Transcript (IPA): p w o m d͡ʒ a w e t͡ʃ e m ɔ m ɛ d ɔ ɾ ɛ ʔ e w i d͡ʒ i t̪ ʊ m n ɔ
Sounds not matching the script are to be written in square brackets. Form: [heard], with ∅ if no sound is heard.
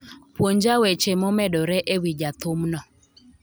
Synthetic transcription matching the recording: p w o [ɲ] d͡ʒ a w e t͡ʃ e m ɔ m ɛ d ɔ ɾ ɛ ʔ e w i d͡ʒ [a] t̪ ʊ m n ɔ